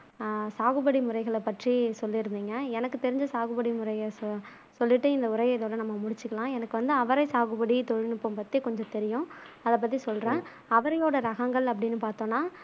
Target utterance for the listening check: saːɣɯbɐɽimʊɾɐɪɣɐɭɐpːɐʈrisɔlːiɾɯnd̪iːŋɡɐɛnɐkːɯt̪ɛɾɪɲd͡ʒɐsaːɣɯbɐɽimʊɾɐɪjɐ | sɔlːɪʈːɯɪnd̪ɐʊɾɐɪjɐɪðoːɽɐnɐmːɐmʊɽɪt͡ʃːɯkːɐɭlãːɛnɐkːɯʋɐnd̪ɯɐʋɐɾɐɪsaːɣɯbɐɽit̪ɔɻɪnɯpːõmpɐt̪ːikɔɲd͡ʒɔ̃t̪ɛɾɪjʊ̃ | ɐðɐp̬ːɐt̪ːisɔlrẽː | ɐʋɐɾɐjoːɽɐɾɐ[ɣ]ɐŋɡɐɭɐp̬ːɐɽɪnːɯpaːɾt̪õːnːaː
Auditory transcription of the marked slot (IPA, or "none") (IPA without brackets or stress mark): ɣ